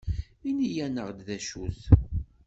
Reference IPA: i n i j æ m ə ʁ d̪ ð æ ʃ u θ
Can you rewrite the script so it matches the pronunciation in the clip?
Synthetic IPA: i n i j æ n ə ʁ d̪ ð æ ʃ u θ